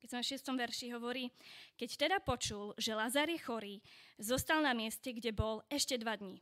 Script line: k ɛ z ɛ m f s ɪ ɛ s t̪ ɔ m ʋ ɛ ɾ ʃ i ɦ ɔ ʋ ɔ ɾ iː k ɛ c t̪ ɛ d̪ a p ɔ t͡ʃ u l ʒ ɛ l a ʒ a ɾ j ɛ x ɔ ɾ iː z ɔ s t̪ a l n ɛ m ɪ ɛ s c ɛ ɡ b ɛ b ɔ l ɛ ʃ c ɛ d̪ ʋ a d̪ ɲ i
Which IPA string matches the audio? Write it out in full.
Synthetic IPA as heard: k ɛ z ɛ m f ʃ ɪ ɛ s t̪ ɔ m ʋ ɛ ɾ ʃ i ɦ ɔ ʋ ɔ ɾ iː k ɛ c t̪ ɛ d̪ a p ɔ t͡ʃ u l ʒ ɛ l a z a ɾ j ɛ x ɔ ɾ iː z ɔ s t̪ a l n a m ɪ ɛ s c ɛ ɡ ɟ ɛ b ɔ l ɛ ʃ c ɛ d̪ ʋ a d̪ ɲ i